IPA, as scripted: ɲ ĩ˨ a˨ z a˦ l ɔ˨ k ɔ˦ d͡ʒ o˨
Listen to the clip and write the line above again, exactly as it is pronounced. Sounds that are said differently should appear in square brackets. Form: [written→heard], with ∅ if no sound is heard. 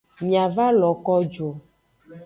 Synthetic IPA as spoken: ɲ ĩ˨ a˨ [z→v] a˦ l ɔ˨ k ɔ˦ d͡ʒ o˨